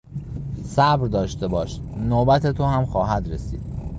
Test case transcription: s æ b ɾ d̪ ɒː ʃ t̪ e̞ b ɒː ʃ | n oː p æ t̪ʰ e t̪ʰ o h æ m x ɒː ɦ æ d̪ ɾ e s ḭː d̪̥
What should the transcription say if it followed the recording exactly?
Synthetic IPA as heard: s æ b ɾ d̪ ɒː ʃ t̪ e̞ b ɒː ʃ | n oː b æ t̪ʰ e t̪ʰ o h æ m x ɒː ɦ æ d̪ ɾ e s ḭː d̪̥